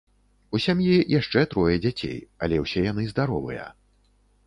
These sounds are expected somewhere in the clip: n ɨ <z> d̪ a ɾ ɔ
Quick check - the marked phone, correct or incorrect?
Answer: correct